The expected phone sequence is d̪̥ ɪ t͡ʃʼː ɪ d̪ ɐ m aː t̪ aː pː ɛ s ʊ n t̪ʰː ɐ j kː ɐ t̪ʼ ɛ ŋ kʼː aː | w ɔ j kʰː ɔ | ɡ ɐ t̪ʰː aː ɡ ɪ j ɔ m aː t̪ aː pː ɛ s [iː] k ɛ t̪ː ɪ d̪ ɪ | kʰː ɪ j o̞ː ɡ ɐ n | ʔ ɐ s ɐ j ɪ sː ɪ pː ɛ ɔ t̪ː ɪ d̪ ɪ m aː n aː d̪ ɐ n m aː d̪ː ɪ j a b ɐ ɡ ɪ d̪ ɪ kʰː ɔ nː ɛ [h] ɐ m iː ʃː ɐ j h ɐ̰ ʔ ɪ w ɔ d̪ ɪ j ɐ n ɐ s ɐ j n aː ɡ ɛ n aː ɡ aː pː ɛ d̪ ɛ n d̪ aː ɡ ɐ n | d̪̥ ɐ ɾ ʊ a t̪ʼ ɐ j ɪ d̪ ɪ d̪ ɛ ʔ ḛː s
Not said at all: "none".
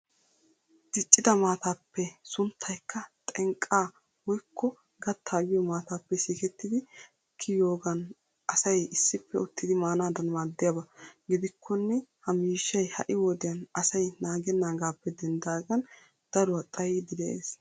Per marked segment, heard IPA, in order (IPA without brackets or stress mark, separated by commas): iː, h